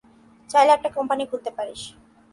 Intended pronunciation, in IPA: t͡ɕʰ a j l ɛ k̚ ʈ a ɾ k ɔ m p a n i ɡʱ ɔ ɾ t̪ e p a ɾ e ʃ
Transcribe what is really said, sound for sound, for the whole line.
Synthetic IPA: t͡ɕ a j l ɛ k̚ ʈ a k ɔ m p a n i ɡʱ u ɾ t̪ e p a ɾ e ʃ

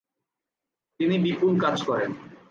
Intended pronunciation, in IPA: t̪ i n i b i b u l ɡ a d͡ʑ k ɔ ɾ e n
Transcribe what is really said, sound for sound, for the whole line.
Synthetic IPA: t̪ i n i b i p u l k a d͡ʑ k ɔ ɾ e n

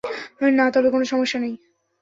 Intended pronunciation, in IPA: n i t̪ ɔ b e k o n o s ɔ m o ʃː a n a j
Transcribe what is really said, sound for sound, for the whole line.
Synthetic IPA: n a t̪ ɔ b e k o n o ʃ ɔ m o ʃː a n e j

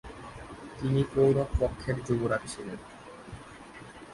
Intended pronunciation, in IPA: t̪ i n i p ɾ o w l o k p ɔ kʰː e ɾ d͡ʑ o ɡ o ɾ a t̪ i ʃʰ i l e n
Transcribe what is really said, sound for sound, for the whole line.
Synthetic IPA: t̪ i n i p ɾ o w ɾ o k p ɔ kʰː e ɾ d͡ʑ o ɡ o ɾ a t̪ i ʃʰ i l e n

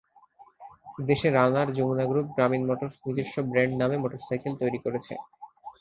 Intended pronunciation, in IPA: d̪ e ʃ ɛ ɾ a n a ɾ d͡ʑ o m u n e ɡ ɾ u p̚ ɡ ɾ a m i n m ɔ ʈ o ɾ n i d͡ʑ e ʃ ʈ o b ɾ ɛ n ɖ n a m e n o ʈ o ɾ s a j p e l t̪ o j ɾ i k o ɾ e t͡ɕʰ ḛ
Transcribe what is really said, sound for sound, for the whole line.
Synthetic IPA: d̪ e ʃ e ɾ a n a ɾ d͡ʑ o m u n a ɡ ɾ u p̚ ɡ ɾ a m i n m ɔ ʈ o ɾ n i d͡ʑ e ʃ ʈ o b ɾ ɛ ɳ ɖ n a m e m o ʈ o ɾ s a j k e l t̪ o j ɾ i k o ɾ e t͡ɕʰ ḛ

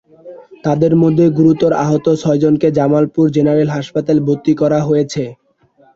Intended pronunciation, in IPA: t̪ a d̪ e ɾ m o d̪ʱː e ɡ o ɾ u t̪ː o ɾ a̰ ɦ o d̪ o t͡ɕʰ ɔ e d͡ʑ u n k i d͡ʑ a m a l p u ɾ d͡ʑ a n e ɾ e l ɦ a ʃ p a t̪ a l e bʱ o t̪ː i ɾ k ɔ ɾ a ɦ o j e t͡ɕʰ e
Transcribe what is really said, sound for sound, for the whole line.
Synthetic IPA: t̪ a d̪ e ɾ m o d̪ʱː e ɡ u ɾ u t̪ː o ɾ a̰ ɦ o t̪ o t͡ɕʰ ɔ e d͡ʑ o n k e d͡ʑ a m a l p u ɾ d͡ʑ e n a ɾ e l ɦ a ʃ p a t̪ a l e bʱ o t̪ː i k ɔ ɾ a ɦ o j e t͡ɕʰ e

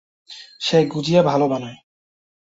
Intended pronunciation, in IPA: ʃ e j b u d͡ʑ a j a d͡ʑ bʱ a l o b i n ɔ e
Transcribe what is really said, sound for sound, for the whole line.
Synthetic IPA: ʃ e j ɡ u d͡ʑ i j a bʱ a l o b a n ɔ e

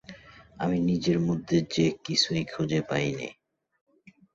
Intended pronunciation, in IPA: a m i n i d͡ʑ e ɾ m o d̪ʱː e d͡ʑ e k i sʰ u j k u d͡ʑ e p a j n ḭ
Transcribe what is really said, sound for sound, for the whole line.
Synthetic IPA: a m i n i d͡ʑ e ɾ m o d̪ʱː e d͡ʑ e k i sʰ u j kʰ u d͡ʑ e p a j n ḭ

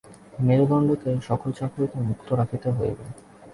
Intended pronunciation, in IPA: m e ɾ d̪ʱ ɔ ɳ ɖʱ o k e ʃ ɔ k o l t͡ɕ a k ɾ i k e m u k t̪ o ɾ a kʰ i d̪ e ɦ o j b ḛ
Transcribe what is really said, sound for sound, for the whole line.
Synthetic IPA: m e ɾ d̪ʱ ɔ ɳ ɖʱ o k e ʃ ɔ k o l t͡ɕ a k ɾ i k e m u k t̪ o ɾ a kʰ i t̪ e ɦ o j b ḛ

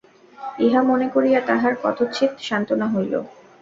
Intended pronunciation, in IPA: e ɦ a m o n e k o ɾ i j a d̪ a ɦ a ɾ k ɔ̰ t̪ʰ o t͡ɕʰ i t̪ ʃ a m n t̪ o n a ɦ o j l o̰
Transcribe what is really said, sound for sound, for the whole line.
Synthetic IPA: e ɦ a m o n e k o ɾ i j a t̪ a ɦ a ɾ k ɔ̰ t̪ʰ o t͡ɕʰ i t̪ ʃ a n t̪ o n a ɦ o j l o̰

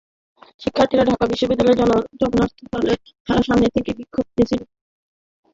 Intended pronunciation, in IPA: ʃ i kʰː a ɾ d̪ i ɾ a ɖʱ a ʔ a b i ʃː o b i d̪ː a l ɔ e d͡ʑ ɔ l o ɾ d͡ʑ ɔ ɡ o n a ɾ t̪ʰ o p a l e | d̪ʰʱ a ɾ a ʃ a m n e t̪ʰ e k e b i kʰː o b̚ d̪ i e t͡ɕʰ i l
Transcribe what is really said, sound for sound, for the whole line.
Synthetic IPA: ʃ i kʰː a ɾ t̪ i ɾ a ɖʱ a k a b i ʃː o b i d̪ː a l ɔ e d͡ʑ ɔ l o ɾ d͡ʑ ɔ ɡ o n a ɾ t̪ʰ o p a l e | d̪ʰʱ a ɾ a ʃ a m n e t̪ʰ e k e b i kʰː o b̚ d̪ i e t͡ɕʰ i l

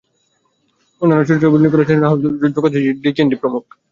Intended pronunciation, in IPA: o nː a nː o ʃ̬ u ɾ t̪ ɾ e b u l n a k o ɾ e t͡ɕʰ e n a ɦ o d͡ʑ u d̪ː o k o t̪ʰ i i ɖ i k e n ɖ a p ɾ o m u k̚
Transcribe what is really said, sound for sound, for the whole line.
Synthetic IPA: o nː a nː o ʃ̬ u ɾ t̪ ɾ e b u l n i k o ɾ e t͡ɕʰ e n a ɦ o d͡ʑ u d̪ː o k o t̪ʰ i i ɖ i k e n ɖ i p ɾ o m u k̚

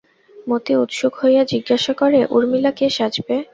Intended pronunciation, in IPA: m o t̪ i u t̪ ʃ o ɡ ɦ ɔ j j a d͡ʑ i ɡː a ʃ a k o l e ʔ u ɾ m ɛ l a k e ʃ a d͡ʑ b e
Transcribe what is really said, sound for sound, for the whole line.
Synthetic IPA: m o t̪ i u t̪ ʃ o ɡ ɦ o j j a d͡ʑ i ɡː a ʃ a k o ɾ e ʔ u ɾ m i l a k e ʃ a d͡ʑ b e

